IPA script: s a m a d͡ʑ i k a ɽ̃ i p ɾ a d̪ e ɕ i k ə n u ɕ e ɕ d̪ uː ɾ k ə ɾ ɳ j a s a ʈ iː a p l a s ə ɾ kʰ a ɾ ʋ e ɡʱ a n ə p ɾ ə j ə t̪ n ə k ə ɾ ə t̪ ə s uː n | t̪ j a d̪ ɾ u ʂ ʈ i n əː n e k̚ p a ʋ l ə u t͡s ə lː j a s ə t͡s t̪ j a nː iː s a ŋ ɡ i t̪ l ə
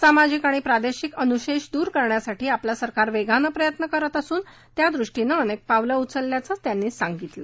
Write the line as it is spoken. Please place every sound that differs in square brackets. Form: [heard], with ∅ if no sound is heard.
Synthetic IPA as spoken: s a m a d͡ʑ i k a ɽ̃ i p ɾ a d̪ e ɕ i k ə n u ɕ e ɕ d̪ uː ɾ k ə ɾ ɳ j a s a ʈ iː a p l a s ə ɾ [k] a ɾ ʋ e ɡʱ a n ə p ɾ ə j ə t̪ n ə k ə ɾ ə t̪ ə s uː n | t̪ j a d̪ ɾ u ʂ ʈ i n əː n e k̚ p a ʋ l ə u t͡s ə lː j a [t͡s] ə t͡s t̪ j a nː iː s a ŋ ɡ i t̪ l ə